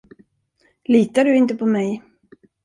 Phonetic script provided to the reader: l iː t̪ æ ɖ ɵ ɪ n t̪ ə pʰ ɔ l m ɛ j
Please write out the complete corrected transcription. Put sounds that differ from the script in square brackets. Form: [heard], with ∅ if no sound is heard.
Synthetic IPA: l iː t̪ [a] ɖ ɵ ɪ n t̪ ə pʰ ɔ [∅] m ɛ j